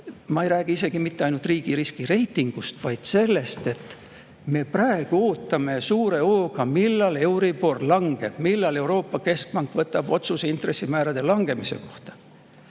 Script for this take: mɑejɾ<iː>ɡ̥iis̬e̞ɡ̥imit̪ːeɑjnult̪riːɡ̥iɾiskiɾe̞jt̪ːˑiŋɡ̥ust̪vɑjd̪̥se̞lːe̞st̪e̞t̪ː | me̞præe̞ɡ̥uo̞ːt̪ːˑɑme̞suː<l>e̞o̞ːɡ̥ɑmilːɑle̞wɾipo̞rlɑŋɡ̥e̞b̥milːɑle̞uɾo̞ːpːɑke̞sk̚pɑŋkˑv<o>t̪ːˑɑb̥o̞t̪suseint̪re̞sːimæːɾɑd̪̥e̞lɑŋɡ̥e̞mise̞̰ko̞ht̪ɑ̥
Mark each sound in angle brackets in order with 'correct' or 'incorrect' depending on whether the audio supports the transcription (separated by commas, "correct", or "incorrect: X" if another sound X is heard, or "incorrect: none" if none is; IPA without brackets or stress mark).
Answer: incorrect: æː, incorrect: ɾ, incorrect: ɤ